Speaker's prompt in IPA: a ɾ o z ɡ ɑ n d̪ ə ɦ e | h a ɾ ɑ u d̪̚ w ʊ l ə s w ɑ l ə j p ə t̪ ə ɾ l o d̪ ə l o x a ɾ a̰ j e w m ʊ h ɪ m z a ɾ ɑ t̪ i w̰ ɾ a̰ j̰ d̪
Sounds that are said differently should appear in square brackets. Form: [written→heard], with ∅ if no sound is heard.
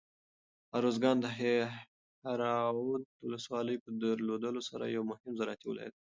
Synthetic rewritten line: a ɾ o z ɡ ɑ n d̪ ə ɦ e | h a ɾ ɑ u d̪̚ w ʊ l ə s w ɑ l ə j p ə [t̪→d̪] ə ɾ l o d̪ ə l o [x→s] a ɾ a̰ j [e→a] w m ʊ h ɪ m z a ɾ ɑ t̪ i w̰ [ɾ→l] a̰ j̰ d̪